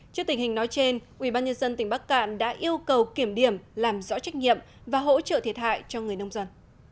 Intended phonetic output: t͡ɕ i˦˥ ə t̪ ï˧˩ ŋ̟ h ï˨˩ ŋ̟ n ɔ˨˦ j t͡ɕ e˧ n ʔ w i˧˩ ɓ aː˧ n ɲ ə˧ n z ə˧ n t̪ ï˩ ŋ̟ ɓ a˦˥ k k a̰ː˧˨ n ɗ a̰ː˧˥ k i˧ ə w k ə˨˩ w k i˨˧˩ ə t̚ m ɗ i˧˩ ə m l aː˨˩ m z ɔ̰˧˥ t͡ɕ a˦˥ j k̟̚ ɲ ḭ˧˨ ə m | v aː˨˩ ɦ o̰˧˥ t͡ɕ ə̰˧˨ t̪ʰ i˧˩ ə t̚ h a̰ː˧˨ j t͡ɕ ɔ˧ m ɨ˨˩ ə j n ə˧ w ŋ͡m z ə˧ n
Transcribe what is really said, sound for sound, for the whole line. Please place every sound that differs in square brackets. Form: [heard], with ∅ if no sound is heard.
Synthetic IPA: t͡ɕ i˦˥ ə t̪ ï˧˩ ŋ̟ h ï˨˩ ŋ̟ n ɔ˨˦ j t͡ɕ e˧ n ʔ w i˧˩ ɓ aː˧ n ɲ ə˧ n z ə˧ n t̪ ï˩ ŋ̟ ɓ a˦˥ k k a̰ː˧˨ n ɗ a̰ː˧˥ [ʔ] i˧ ə w k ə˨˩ w k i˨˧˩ ə [∅] m ɗ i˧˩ ə m l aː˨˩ m z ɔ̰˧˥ t͡ɕ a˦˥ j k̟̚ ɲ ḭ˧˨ ə m | v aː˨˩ ɦ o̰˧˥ t͡ɕ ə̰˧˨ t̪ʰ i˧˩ ə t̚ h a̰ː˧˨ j t͡ɕ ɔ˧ [ŋ] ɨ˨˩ ə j n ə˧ w ŋ͡m z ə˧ n